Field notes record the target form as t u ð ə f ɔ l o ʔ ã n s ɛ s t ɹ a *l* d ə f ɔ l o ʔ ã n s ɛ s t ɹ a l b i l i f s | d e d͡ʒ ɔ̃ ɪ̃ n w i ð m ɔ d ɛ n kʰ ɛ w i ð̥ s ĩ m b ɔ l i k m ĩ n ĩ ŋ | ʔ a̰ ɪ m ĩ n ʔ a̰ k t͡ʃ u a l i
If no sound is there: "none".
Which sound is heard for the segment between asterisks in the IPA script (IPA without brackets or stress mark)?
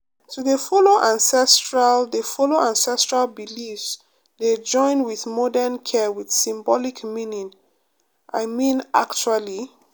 l